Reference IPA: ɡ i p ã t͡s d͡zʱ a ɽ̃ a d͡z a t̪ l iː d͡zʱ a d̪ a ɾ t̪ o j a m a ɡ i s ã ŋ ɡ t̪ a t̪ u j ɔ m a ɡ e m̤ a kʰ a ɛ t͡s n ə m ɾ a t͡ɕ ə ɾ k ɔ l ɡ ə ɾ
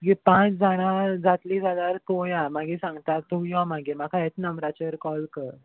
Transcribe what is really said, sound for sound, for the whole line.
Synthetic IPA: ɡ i p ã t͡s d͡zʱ a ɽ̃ a d͡z a t̪ l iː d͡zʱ a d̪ a ɾ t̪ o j a m a ɡ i s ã ŋ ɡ t̪ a t̪ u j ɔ m a ɡ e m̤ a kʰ a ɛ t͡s n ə m ɾ a t͡ɕ ə ɾ k ɔ l k ə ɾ